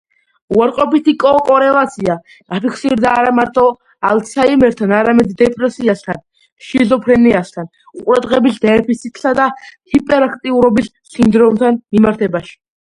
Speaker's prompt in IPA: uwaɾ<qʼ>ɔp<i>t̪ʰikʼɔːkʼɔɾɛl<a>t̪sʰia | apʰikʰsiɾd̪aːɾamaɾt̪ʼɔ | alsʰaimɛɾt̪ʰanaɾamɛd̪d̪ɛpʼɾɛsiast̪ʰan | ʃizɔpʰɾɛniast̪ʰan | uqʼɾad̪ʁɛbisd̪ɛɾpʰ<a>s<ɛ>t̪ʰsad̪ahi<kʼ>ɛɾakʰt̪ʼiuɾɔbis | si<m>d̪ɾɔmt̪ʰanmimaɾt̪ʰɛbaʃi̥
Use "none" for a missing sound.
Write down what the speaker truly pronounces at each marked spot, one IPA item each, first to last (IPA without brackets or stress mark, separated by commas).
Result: qʼ, i, a, i, i, pʼ, n